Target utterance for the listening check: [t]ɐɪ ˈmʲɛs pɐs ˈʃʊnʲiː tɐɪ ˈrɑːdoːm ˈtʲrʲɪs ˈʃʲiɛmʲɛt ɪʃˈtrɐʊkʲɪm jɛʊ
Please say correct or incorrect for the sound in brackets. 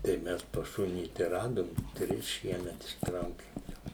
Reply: correct